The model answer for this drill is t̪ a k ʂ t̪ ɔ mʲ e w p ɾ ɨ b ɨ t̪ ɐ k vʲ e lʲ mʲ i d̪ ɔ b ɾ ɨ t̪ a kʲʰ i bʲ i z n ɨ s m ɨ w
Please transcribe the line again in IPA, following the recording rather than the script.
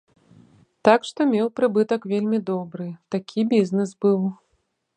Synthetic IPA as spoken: t̪ a k ʂ t̪ ɔ mʲ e w p ɾ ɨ b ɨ t̪ ɐ k vʲ e lʲ mʲ i d̪ ɔ b ɾ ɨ t̪ a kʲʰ i bʲ i z n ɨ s b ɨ w